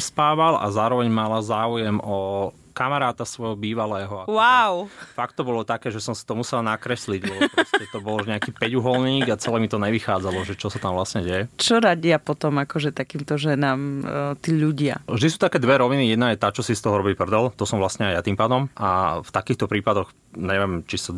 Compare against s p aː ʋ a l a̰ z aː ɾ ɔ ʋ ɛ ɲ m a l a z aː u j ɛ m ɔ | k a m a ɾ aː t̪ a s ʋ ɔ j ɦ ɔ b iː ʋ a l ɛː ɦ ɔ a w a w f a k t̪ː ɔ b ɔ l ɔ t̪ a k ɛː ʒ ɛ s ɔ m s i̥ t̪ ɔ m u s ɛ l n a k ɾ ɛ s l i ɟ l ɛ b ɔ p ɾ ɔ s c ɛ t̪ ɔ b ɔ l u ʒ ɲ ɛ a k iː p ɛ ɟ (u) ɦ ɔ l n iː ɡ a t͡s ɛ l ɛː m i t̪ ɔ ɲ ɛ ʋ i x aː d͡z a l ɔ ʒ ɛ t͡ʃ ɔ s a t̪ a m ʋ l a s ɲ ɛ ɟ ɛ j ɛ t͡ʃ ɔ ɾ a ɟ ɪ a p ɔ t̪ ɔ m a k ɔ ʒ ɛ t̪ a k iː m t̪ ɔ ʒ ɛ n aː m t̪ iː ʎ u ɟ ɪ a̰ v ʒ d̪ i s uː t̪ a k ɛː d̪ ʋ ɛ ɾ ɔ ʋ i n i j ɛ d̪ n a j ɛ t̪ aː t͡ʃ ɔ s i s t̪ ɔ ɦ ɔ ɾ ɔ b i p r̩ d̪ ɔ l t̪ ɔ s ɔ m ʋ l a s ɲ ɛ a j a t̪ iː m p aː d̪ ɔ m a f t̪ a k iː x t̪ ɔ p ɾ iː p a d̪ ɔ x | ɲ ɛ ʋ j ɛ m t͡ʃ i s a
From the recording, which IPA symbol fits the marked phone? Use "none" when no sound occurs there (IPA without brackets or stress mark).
u